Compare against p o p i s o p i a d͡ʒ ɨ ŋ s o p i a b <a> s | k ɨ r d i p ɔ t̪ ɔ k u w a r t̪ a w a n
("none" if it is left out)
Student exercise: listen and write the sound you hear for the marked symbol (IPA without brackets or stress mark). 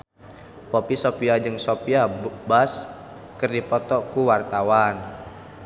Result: a